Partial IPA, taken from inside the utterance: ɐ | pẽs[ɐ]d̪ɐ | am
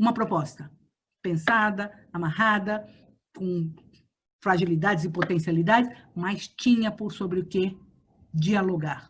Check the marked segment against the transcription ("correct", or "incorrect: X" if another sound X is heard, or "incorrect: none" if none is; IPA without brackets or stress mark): incorrect: a